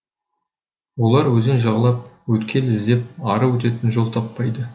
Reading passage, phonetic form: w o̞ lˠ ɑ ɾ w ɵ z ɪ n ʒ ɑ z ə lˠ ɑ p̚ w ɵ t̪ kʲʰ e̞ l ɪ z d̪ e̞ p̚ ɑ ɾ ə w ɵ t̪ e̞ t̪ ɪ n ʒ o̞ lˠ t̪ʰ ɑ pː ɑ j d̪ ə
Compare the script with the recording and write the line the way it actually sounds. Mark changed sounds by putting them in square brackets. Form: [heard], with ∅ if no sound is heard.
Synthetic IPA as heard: w o̞ lˠ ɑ ɾ w ɵ z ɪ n ʒ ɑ [ʁ] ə lˠ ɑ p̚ w ɵ t̪ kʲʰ e̞ l ɪ z d̪ e̞ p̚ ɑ ɾ ə w ɵ t̪ e̞ t̪ ɪ n ʒ o̞ lˠ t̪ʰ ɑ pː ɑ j d̪ ə